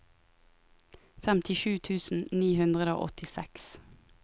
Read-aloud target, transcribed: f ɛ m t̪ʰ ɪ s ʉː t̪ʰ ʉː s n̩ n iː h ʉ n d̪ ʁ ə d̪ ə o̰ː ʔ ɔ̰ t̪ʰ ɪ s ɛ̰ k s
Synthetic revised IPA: f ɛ m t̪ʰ ɪ ʃ ʉː t̪ʰ ʉː s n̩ n iː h ʉ n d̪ ʁ ə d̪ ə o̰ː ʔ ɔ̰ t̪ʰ ɪ s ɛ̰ k s